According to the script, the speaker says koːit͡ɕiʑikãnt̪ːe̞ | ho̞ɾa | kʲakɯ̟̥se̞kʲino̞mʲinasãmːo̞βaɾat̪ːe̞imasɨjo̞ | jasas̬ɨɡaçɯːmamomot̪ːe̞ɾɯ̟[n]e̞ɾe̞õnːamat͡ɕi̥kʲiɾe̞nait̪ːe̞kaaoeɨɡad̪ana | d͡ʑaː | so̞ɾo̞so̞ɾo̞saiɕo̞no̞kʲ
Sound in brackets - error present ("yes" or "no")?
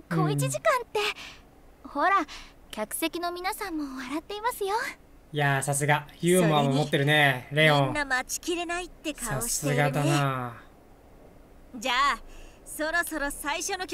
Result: no